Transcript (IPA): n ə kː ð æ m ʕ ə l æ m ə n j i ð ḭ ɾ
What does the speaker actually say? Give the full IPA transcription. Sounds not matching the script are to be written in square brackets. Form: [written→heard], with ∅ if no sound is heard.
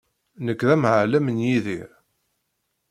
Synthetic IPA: n ə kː ð æ m ʕ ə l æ m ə n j i ð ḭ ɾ